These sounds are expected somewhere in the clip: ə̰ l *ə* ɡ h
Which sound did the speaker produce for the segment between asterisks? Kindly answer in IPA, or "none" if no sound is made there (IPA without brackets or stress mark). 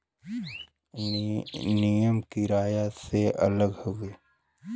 ə